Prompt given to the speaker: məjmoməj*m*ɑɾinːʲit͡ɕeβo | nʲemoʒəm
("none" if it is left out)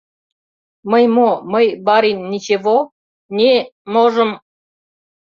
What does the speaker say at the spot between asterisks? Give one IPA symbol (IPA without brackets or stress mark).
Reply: b